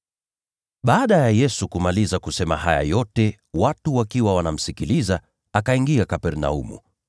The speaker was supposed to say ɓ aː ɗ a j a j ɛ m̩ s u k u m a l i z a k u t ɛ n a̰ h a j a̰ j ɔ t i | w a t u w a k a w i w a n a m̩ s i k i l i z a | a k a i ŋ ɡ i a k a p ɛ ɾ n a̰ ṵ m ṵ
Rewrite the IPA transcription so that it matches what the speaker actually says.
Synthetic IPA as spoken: ɓ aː ɗ a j a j ɛ s u k u m a l i z a k u s ɛ m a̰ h a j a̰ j ɔ t ɛ | w a t u w a k i w a w a n a m̩ s i k i l i z a | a k a i ŋ ɡ i a k a p ɛ ɾ n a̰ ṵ m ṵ

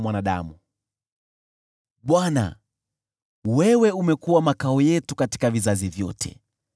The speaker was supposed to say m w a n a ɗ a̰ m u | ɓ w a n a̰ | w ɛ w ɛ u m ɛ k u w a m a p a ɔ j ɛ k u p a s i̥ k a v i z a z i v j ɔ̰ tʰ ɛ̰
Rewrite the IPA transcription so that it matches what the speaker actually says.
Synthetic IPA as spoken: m w a n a ɗ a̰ m u | ɓ w a n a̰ | w ɛ w ɛ u m ɛ k u w a m a k a ɔ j ɛ t u k a t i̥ k a v i z a z i v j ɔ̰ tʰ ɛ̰

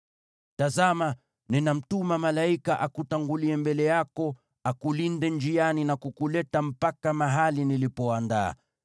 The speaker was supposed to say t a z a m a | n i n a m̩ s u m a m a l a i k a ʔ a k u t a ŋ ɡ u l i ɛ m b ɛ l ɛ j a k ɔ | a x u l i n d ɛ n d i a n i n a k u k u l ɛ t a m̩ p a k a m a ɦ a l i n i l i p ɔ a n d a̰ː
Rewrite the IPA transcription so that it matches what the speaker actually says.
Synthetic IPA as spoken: t a z a m a | n i n a m̩ t u m a m a l a i k a ʔ a k u t a ŋ ɡ u l i ɛ m b ɛ l ɛ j a k ɔ | a k u l i n d ɛ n d͡ʒ i a n i n a k u k u l ɛ t a m̩ p a k a m a ɦ a l i n i l i p ɔ a n d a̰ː

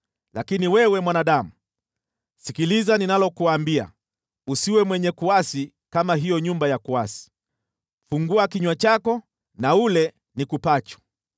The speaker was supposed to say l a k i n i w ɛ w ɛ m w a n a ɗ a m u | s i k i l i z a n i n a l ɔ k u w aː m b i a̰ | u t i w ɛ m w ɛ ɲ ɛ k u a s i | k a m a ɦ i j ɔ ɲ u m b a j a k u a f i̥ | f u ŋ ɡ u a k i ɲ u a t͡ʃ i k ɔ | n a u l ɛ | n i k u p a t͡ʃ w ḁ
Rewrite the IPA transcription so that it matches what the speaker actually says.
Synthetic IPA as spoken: l a k i n i w ɛ w ɛ m w a n a ɗ a m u | s i k i l i z a n i n a l ɔ k u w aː m b i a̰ | u s i w ɛ m w ɛ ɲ ɛ k u a s i | k a m a ɦ i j ɔ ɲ u m b a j a k u a s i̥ | f u ŋ ɡ u a k i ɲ w a t͡ʃ a k ɔ | n a u l ɛ | n i k u p a t͡ʃ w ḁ

